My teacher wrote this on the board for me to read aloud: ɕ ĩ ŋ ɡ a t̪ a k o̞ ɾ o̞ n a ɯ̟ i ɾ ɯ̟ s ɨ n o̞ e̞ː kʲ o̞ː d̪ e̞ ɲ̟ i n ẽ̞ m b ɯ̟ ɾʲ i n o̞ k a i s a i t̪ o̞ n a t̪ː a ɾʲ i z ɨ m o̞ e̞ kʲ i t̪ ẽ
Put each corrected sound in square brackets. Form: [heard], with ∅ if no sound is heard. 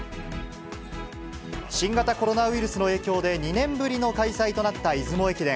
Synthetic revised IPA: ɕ ĩ ŋ ɡ a t̪ a k o̞ ɾ o̞ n a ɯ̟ i ɾ ɯ̟ s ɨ n o̞ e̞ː kʲ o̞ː d̪ e̞ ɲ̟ i n ẽ̞ m b ɯ̟ ɾʲ i n o̞ k a i s a i t̪ o̞ n a t̪ː a [∅] i z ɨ m o̞ e̞ kʲ i [d̪] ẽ